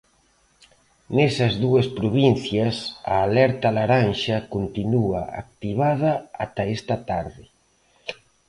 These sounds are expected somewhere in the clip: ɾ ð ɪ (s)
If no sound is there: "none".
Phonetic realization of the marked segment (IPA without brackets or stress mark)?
none